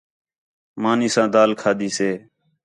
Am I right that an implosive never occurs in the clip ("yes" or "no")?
yes